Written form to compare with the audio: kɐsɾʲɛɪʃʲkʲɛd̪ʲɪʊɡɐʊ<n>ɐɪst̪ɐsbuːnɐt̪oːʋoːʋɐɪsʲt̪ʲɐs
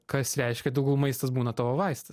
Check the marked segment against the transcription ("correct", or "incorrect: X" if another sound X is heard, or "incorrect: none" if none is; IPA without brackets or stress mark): incorrect: m